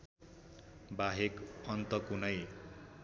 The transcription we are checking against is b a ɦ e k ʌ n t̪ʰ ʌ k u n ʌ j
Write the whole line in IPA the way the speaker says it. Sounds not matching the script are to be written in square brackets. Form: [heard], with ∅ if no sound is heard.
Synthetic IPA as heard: b a ɦ e k ʌ n [t̪] ʌ k u n ʌ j